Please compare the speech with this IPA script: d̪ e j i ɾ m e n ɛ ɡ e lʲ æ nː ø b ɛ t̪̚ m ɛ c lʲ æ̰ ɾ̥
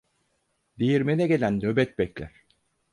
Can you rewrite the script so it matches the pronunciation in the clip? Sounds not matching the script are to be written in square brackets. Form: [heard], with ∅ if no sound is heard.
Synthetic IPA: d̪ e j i ɾ m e n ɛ ɡ e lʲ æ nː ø b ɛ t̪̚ [b] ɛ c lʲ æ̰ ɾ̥

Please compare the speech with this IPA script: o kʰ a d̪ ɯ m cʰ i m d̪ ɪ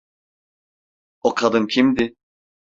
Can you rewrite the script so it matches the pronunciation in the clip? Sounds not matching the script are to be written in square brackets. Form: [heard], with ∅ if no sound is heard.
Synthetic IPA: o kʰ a d̪ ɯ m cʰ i m d̪ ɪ

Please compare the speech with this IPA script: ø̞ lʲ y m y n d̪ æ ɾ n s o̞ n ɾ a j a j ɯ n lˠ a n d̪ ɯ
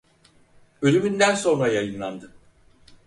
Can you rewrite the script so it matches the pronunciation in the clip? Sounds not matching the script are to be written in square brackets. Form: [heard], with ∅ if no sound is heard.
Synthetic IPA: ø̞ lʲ y m y n d̪ æ [∅] n s o̞ n ɾ a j a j ɯ n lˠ a n d̪ ɯ

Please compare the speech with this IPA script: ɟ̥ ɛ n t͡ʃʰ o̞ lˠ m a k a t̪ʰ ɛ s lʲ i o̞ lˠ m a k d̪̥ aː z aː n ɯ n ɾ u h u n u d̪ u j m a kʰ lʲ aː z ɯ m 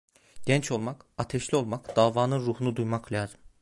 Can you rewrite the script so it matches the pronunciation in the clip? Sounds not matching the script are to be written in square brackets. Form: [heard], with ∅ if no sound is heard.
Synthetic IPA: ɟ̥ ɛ n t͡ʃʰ o̞ lˠ m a k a t̪ʰ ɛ [ʃ] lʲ i o̞ lˠ m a k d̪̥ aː [v] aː n ɯ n ɾ u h u n u d̪ u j m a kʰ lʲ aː z ɯ m

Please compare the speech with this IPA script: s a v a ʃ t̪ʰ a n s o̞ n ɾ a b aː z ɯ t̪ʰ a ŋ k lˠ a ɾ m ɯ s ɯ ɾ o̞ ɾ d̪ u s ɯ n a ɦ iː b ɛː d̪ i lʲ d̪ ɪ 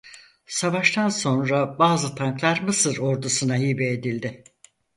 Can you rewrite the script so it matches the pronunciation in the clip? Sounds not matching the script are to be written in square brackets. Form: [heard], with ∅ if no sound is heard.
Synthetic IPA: s a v a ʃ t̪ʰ a n s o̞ n ɾ a b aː z ɯ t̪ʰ a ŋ k lˠ a ɾ m ɯ s ɯ ɾ o̞ ɾ d̪ u s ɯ n a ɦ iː b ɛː d̪ i lʲ d̪ ɪ

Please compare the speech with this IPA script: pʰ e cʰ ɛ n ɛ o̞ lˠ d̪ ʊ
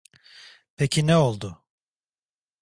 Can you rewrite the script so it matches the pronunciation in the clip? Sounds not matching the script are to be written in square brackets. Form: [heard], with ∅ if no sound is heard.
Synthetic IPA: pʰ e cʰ [i] n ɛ o̞ lˠ d̪ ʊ

